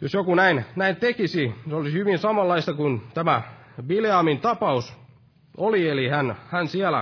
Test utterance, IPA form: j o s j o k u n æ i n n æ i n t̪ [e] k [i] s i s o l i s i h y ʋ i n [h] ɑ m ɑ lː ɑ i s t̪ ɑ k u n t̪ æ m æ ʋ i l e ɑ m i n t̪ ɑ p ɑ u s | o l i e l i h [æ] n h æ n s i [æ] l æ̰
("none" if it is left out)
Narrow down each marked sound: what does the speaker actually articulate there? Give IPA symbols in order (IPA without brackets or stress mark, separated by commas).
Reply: e, i, s, æ, æ